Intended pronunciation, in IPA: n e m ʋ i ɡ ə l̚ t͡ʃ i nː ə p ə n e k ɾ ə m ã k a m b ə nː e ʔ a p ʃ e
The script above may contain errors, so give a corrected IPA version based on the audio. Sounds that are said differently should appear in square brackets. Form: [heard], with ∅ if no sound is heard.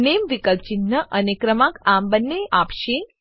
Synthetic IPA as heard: n e m ʋ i [k] ə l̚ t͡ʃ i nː ə [ʔ] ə n e k ɾ ə m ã k a m b ə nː e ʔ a p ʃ e